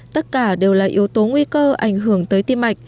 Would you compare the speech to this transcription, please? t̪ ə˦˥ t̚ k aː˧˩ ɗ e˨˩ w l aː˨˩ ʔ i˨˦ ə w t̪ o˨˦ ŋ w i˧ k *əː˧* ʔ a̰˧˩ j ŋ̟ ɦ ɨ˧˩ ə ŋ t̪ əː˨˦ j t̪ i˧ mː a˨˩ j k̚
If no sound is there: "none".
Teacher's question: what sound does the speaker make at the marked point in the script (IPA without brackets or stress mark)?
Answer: əː˧